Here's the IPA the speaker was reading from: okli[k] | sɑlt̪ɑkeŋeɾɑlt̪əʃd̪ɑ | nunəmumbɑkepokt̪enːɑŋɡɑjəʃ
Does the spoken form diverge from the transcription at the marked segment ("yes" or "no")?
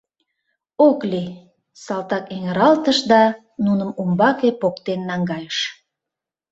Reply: yes